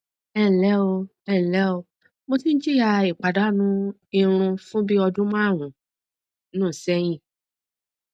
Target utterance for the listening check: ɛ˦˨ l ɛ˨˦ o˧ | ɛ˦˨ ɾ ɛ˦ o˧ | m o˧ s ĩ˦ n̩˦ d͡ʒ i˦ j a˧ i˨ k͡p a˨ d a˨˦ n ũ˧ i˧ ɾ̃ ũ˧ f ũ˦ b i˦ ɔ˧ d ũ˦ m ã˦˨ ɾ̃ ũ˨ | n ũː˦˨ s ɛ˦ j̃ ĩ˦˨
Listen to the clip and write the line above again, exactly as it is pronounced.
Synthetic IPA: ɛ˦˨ l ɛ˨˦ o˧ | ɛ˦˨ l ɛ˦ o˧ | m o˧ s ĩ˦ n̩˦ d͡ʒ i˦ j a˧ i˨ k͡p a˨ d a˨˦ n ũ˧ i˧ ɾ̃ ũ˧ f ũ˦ b i˦ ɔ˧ d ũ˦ m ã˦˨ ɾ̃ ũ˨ | n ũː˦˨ s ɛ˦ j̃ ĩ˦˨